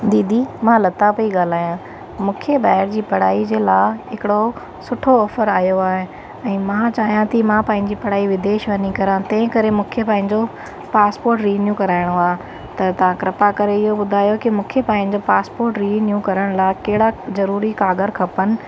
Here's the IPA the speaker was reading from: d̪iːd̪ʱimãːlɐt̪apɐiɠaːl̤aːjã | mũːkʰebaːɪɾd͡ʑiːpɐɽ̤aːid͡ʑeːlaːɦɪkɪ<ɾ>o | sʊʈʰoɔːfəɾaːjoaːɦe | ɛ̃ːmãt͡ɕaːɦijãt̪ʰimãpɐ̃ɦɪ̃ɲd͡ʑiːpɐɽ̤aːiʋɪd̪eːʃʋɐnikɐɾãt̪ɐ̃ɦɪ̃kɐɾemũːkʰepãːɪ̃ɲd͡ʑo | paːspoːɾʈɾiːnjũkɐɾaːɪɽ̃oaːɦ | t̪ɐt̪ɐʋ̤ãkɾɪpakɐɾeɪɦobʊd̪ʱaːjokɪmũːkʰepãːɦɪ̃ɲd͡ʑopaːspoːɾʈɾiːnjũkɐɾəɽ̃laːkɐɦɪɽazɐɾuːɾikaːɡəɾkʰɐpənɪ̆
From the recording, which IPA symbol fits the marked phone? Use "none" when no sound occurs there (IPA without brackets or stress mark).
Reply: ɽ